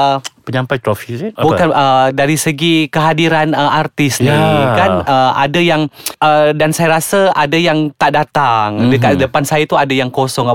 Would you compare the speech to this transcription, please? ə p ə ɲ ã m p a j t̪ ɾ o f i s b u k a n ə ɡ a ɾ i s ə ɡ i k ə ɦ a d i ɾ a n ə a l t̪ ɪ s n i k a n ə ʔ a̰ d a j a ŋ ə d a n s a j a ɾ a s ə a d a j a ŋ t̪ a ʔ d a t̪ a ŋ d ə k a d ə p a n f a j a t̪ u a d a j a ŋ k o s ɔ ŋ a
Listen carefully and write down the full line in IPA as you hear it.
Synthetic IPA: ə p ə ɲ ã m p a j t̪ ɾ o f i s b u k a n ə d a ɾ i s ə ɡ i k ə ɦ a d i ɾ a n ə a r t̪ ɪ s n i k a n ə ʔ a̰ d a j a ŋ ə d a n s a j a ɾ a s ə a d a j a ŋ t̪ a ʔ d a t̪ a ŋ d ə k a d ə p a n s a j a t̪ u a d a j a ŋ k o s ɔ ŋ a